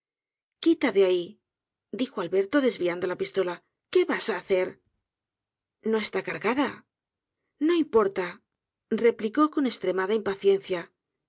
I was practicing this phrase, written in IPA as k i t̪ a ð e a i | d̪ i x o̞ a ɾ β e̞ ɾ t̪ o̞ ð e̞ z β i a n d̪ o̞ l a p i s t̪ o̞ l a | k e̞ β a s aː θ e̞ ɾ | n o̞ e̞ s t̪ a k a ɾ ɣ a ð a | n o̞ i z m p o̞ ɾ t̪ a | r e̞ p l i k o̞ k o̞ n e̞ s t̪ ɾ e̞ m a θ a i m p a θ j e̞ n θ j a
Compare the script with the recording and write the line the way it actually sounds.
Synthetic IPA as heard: k i t̪ a ð e a i | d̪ i x o̞ a l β e̞ ɾ t̪ o̞ ð e̞ z β i a n d̪ o̞ l a p i s t̪ o̞ l a | k e̞ β a s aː θ e̞ ɾ | n o̞ e̞ s t̪ a k a ɾ ɣ a ð a | n o̞ i m p o̞ ɾ t̪ a | r e̞ p l i k o̞ k o̞ n e̞ s t̪ ɾ e̞ m a ð a i m p a θ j e̞ n θ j a